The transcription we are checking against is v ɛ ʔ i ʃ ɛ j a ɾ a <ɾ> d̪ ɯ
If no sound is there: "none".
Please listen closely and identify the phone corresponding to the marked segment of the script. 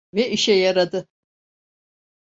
none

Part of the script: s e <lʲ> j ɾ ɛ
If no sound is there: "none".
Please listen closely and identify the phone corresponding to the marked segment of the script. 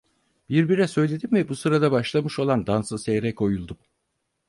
none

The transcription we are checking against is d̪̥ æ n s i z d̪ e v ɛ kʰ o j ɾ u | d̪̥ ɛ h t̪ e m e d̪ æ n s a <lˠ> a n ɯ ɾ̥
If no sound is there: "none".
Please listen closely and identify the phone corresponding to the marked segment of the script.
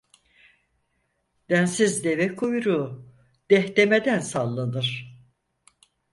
lˠː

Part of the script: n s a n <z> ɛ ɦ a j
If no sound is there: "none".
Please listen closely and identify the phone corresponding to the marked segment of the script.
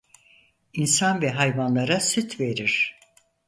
v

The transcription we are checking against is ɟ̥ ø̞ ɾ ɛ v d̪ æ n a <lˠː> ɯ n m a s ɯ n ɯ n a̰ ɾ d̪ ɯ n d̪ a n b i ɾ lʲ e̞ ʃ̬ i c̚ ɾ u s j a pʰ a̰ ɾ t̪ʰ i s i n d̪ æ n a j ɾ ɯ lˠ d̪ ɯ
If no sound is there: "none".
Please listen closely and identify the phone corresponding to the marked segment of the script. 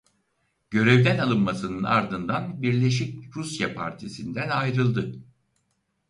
lˠ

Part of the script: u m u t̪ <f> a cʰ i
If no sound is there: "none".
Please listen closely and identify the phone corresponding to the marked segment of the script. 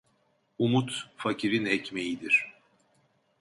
f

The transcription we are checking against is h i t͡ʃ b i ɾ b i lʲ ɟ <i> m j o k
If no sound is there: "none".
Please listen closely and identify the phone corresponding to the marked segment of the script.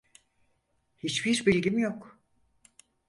i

